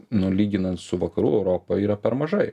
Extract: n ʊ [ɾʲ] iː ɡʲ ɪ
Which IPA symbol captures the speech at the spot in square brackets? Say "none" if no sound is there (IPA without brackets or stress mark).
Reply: lʲ